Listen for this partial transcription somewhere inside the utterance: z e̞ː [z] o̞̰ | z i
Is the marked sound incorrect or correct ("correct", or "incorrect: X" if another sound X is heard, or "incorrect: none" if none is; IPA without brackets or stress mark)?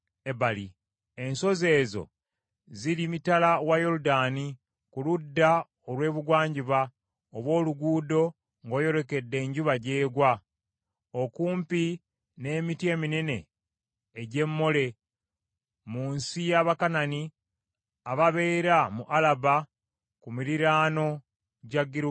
correct